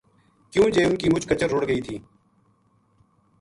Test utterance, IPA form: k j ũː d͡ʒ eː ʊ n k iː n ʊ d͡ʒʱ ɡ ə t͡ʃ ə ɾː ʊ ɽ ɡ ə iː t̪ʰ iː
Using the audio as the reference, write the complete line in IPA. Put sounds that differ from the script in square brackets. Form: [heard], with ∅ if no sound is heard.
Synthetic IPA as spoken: k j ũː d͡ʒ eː ʊ n k iː [m] ʊ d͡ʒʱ [k] ə t͡ʃ ə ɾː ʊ ɽ ɡ ə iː t̪ʰ iː

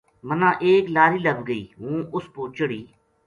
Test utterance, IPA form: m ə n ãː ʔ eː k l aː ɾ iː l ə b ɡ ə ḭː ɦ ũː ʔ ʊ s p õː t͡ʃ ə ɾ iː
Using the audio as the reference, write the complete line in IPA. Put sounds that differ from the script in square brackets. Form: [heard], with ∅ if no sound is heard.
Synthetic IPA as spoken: m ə n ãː ʔ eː k l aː ɾ iː l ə b ɡ ə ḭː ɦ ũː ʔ ʊ s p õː t͡ʃ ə [ɽ] iː

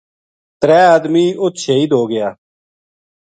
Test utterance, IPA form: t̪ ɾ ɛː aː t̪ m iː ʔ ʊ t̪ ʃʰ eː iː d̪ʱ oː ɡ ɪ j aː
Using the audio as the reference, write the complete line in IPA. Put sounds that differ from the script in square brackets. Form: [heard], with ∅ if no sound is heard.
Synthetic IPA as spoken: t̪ ɾ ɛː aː [d̪] m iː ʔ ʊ t̪ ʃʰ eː iː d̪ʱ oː ɡ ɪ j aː

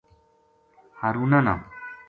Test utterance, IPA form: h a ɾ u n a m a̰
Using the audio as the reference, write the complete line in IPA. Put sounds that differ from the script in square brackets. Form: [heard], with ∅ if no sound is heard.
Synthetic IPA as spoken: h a ɾ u n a [n] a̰

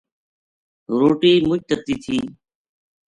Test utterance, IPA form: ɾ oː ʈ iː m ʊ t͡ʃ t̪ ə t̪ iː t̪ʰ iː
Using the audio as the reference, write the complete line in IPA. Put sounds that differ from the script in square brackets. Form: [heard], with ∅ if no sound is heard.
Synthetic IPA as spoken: ɾ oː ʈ iː m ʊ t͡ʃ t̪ ə t̪ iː t̪ʰ iː

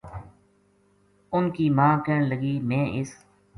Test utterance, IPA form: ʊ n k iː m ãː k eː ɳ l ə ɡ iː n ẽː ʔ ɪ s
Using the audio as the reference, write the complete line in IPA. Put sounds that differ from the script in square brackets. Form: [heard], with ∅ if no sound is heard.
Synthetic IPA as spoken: ʊ n k iː m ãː k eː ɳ l ə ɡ iː [m] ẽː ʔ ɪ s

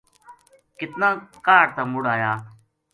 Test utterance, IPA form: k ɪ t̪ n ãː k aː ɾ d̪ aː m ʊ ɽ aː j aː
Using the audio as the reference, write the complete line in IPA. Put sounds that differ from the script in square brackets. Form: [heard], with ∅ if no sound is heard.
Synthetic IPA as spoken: k ɪ t̪ n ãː k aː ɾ [t̪] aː m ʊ ɽ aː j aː

